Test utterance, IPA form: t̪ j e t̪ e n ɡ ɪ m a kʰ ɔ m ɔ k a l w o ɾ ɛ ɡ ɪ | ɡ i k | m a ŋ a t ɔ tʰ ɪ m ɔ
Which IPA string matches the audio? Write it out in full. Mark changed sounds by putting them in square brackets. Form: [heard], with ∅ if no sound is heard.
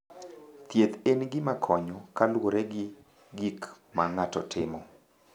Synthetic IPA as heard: t̪ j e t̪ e n ɡ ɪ m a kʰ ɔ [ɲ] ɔ k a l w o ɾ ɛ ɡ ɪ | ɡ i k | m a ŋ a t ɔ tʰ ɪ m ɔ